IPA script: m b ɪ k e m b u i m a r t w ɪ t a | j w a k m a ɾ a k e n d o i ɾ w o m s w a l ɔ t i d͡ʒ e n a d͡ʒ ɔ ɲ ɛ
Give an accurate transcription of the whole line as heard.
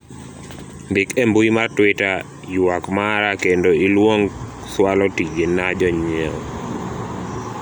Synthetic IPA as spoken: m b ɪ k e m b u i m a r t w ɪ t a | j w a k m a ɾ a k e n d o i l w o ŋ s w a l ɔ t i d͡ʒ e n a d͡ʒ ɔ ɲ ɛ